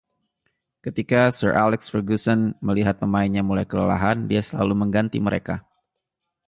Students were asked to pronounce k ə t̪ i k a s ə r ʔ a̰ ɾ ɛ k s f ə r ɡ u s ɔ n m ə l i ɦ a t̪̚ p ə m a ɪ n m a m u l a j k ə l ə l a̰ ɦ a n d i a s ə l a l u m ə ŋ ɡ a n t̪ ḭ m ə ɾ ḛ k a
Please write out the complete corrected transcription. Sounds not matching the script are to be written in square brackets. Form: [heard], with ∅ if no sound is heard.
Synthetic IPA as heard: k ə t̪ i k a s ə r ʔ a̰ [l] ɛ k s f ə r ɡ u s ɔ n m ə l i ɦ a t̪̚ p ə m a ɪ n [ɲ] a m u l a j k ə l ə l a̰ ɦ a n d i a s ə l a l u m ə ŋ ɡ a n t̪ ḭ m ə ɾ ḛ k a